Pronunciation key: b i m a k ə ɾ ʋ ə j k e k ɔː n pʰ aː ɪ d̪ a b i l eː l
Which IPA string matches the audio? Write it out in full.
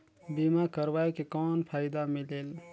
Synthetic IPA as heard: b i m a k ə ɾ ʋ a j k e k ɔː n pʰ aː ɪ d̪ a m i l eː l